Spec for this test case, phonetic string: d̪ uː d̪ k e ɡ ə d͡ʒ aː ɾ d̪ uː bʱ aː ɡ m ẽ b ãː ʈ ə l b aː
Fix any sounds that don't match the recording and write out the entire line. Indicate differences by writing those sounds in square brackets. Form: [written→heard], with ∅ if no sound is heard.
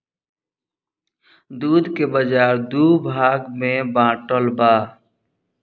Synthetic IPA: d̪ uː d̪ k e [ɡ→b] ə d͡ʒ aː ɾ d̪ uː bʱ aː ɡ m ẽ b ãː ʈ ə l b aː